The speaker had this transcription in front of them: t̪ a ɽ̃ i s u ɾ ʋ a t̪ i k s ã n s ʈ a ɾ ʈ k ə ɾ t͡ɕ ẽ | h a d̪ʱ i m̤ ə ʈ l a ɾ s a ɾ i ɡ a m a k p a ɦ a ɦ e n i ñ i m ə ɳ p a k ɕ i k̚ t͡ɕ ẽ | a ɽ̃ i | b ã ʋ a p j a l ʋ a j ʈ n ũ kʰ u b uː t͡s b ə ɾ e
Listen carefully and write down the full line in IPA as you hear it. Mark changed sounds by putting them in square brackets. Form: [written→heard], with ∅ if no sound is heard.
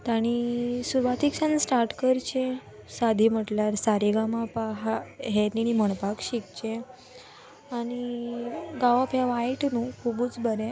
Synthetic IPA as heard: t̪ a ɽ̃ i s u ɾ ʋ a t̪ i k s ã n s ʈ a ɾ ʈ k ə ɾ t͡ɕ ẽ | [h→s] a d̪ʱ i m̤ ə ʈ l a ɾ s a ɾ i ɡ a m a [k→∅] p a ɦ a ɦ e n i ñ i m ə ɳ p a k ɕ i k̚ t͡ɕ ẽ | a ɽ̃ i | [b→ɡ] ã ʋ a p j a [l→∅] ʋ a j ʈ n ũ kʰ u b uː t͡s b ə ɾ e